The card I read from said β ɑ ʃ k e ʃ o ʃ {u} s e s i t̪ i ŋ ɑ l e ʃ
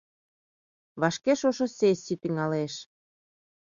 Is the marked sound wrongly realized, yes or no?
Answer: yes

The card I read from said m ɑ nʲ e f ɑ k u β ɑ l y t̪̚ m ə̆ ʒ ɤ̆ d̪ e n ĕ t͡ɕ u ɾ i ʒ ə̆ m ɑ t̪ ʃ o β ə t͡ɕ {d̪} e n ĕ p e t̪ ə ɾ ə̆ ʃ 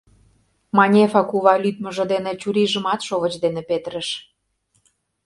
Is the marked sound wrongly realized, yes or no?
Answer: no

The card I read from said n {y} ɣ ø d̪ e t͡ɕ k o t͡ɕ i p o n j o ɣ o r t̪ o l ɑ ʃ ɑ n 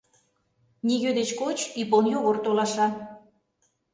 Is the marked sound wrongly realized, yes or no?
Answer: yes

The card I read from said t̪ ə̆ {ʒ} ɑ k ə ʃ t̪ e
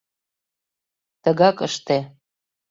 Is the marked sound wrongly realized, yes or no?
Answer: yes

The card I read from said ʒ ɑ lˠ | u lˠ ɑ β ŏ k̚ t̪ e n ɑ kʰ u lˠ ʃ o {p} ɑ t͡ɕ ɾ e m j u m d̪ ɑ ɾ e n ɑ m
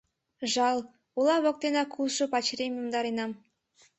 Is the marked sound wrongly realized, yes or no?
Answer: no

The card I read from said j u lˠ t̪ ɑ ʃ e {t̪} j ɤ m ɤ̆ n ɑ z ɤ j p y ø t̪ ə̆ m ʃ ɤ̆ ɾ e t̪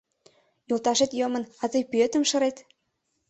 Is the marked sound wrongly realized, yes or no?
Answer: no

